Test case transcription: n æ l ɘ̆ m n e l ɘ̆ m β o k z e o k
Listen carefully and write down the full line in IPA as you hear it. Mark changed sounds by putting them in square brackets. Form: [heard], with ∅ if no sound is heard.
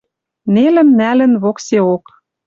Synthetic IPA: n [e] l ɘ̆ m n [æ] l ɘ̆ [n] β o k [s] e o k